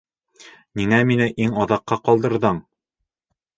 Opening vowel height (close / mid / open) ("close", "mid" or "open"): close